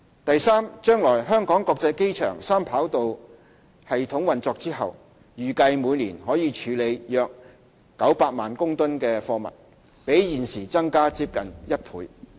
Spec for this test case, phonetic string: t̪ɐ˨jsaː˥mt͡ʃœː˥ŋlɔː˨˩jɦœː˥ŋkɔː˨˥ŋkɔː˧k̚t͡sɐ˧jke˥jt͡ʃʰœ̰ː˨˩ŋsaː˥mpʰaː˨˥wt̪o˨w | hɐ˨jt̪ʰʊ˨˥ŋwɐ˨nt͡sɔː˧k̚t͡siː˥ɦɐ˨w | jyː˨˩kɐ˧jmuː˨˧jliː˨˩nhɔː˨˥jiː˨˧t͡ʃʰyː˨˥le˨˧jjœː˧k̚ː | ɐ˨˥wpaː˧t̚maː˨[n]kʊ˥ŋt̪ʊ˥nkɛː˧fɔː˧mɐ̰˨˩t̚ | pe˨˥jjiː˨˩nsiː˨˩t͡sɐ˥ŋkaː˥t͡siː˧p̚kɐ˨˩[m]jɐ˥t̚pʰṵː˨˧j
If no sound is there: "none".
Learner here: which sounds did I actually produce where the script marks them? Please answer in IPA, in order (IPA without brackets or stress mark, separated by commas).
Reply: n, n